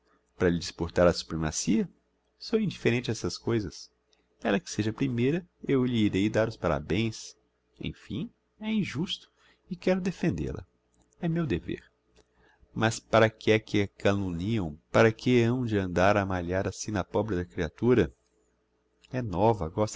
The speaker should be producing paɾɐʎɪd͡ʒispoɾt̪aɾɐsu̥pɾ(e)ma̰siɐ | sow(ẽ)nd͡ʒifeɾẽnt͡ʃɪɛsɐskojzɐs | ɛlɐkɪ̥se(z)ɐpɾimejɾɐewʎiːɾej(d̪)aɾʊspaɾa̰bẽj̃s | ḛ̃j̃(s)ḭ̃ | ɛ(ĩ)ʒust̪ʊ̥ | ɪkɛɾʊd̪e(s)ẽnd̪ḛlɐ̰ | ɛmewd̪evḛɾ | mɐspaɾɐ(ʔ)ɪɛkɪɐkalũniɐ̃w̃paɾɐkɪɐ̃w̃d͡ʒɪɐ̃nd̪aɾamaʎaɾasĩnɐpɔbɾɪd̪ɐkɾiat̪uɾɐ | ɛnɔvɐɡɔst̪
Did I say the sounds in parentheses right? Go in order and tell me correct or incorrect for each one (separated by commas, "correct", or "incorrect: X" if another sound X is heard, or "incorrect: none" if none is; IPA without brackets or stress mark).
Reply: correct, incorrect: ĩ, incorrect: ʒ, correct, incorrect: f, correct, incorrect: f, incorrect: k